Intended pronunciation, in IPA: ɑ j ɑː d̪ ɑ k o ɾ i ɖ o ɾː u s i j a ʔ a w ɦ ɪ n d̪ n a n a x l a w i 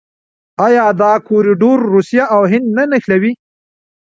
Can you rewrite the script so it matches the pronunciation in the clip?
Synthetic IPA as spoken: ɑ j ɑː d̪ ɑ k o ɾ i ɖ o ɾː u s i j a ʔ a w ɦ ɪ n d̪ n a n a x l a w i